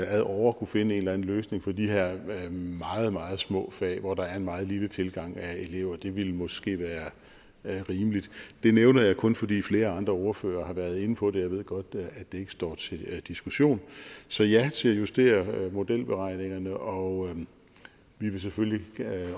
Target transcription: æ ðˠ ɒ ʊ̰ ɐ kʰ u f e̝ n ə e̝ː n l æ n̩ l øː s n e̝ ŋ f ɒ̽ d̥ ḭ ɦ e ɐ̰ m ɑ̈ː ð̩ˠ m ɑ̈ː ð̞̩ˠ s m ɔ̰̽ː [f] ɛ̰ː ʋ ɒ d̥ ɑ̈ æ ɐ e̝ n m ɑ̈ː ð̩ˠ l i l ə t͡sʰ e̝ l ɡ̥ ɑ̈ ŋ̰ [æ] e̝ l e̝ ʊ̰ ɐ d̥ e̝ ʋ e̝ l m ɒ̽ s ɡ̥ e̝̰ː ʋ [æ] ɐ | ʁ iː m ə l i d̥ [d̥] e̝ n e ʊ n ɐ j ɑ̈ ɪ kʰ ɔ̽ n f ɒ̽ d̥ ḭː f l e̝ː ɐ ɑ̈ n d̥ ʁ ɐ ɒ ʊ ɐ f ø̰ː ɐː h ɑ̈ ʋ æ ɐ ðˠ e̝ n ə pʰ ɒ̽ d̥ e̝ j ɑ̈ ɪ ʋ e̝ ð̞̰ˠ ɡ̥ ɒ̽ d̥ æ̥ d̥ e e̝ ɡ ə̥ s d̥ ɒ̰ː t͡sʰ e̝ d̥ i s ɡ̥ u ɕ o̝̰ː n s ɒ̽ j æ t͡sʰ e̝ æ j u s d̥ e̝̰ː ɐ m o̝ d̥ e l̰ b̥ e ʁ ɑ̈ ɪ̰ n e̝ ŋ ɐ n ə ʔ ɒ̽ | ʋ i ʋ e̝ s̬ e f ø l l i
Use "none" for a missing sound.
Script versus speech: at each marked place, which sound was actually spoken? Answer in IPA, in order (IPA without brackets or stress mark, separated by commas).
f, æ, æː, d̥